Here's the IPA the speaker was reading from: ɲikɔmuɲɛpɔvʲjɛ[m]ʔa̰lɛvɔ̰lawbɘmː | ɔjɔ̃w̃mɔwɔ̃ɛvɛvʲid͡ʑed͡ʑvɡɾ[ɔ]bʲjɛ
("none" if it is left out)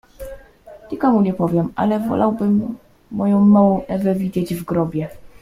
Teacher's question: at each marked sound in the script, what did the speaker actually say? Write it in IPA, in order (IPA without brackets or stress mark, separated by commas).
m, ɔ